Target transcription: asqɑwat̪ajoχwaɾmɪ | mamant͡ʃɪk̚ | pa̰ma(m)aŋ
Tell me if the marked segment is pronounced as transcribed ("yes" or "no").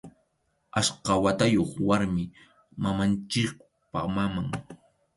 yes